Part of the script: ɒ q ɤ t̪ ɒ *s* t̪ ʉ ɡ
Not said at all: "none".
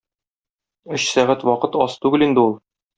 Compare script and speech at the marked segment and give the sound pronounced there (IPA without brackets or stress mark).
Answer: s